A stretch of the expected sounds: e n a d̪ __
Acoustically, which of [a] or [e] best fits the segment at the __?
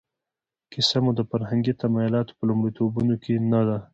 a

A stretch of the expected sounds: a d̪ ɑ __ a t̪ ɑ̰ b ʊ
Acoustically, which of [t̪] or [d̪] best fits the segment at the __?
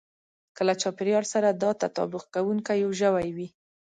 t̪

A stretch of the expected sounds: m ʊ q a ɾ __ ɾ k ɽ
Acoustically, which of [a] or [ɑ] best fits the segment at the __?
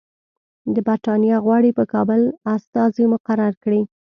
a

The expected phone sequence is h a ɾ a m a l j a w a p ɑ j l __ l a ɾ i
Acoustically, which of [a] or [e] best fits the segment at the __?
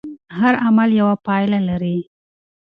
a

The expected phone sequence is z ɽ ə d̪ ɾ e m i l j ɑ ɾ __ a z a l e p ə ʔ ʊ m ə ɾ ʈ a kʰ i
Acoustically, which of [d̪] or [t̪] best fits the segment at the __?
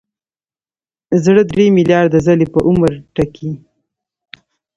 d̪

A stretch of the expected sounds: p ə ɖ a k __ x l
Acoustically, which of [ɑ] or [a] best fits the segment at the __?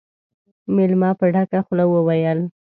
a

